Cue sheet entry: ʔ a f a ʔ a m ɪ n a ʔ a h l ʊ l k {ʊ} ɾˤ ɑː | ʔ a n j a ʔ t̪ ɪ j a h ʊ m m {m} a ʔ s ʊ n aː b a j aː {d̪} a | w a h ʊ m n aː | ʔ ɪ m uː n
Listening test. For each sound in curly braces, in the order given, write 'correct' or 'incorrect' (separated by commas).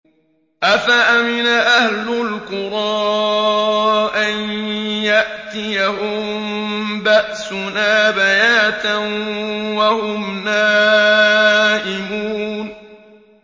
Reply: correct, incorrect, incorrect